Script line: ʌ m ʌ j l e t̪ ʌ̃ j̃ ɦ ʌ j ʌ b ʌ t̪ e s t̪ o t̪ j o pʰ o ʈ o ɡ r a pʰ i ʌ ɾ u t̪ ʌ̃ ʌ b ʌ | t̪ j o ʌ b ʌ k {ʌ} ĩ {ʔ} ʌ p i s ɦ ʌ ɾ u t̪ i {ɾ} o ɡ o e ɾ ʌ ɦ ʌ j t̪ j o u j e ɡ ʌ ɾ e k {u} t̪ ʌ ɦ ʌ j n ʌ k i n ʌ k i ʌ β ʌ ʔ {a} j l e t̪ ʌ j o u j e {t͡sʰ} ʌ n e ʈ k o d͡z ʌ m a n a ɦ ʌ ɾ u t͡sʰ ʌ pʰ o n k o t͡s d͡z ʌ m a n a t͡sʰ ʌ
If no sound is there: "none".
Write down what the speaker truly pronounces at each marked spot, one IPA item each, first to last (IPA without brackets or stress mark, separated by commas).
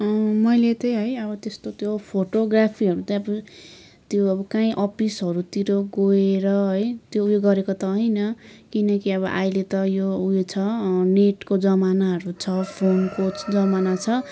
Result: a, ʔ, ɾ, o, a, t͡sʰ